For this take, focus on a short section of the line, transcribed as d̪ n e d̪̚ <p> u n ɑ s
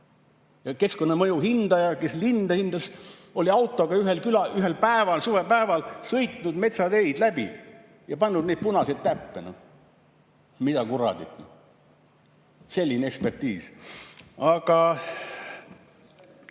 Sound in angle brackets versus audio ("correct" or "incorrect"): correct